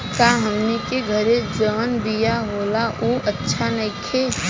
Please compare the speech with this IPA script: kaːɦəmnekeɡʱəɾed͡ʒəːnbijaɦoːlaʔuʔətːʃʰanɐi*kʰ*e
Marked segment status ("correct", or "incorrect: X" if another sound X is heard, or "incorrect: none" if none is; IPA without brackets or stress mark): correct